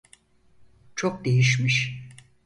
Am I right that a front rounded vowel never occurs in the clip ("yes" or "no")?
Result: yes